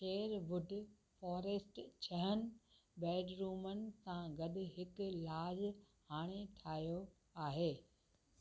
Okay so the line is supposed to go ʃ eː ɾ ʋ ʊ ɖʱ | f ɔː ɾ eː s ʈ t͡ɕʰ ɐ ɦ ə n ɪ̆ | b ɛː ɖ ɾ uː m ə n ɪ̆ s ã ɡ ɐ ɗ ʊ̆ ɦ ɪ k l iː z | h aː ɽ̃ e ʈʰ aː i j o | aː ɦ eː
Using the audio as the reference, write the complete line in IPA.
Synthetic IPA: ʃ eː ɾ ʋ ʊ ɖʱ | f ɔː ɾ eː s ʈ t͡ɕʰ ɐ ɦ ə n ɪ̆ | b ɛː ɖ ɾ uː m ə n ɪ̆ s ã ɡ ɐ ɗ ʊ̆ ɦ ɪ k l aː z | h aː ɽ̃ e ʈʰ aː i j o | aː ɦ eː

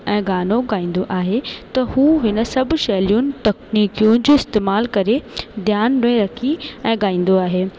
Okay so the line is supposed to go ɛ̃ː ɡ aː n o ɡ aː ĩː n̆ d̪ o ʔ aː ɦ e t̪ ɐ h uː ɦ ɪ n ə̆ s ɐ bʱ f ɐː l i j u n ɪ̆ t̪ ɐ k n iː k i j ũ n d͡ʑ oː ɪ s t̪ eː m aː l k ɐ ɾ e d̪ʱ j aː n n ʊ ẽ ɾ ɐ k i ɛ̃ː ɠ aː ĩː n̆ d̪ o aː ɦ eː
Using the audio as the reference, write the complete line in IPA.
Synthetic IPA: ɛ̃ː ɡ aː n o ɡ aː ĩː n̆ d̪ o ʔ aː ɦ e t̪ ɐ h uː ɦ ɪ n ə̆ s ɐ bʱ ʃ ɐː l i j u n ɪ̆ t̪ ɐ k n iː k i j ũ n d͡ʑ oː ɪ s t̪ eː m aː l k ɐ ɾ e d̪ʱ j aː n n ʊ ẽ ɾ ɐ kʰ i ɛ̃ː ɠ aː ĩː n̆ d̪ o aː ɦ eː

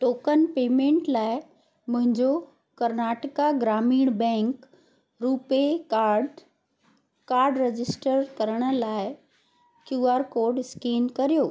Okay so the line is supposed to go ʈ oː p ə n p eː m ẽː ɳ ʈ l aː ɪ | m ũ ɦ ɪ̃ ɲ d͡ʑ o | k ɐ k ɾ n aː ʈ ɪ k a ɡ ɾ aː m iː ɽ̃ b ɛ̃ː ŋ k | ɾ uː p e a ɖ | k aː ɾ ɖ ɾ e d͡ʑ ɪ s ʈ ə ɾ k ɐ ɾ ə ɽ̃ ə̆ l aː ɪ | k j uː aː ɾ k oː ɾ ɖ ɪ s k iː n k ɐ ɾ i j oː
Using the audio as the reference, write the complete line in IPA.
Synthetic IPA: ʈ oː k ə n p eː m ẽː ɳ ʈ l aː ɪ | m ʊ̃ ɦ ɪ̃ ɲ d͡ʑ o | k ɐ ɾ n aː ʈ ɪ k a ɡ ɾ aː m iː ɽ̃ b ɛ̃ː ŋ k | ɾ uː p e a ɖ | k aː ɾ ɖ ɾ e d͡ʑ ɪ s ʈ ə ɾ k ɐ ɾ ə ɽ̃ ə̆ l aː ɪ | k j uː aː ɾ k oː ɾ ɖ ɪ s k iː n k ɐ ɾ i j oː

